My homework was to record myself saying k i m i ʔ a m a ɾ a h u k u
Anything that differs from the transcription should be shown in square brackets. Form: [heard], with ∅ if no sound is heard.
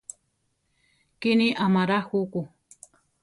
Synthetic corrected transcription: k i [n] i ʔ a m a ɾ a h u k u